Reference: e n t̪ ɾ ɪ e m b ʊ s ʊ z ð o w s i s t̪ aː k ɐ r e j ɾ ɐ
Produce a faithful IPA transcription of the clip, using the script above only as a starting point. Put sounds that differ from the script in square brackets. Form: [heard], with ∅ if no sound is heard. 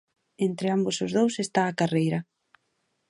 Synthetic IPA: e n t̪ ɾ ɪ [a] m b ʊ s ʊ z ð o w s [e] s t̪ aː k [a] r e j ɾ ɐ